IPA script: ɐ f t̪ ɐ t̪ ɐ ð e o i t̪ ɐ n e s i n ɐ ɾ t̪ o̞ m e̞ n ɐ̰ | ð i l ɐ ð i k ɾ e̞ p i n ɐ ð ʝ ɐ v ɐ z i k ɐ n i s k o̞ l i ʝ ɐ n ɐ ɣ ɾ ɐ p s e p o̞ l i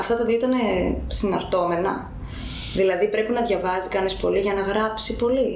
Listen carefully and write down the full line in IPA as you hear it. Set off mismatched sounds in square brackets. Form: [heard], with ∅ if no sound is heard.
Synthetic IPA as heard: ɐ f t̪ ɐ t̪ ɐ ð [i] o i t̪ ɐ n e s i n ɐ ɾ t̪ o̞ m e̞ n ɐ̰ | ð i l ɐ ð i [p] ɾ e̞ p i n ɐ ð ʝ ɐ v ɐ z i k ɐ n i s [p] o̞ l i ʝ ɐ n ɐ ɣ ɾ ɐ p s [i] p o̞ l i